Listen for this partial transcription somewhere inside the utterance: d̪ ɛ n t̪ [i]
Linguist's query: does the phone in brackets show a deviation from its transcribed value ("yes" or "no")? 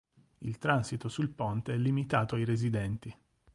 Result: no